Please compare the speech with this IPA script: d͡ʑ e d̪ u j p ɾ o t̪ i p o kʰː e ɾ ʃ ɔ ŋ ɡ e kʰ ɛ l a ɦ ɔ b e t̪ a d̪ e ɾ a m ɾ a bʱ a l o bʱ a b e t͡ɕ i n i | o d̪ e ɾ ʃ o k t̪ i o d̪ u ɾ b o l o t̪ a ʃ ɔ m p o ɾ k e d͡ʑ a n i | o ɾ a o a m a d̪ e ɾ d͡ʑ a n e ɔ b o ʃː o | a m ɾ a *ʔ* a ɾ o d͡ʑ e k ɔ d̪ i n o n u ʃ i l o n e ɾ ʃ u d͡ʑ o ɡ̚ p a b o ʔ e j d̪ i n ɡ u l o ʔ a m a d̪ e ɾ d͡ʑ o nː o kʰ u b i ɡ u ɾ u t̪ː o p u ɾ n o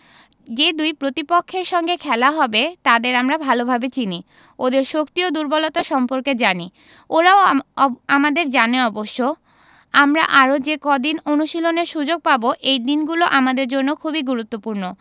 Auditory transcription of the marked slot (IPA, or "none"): ʔ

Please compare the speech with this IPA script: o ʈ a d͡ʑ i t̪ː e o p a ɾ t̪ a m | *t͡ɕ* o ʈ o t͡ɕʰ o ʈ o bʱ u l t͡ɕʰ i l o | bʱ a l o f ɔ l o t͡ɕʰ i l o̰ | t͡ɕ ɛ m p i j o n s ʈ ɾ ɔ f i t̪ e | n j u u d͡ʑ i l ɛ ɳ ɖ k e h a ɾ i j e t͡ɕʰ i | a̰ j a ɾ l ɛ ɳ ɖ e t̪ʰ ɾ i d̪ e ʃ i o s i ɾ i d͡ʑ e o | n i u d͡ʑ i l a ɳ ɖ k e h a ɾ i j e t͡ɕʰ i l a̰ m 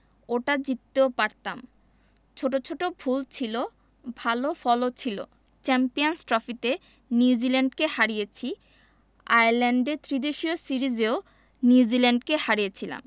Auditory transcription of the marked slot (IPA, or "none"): t͡ɕʰ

